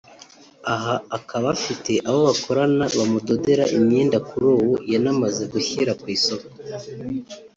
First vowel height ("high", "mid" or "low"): low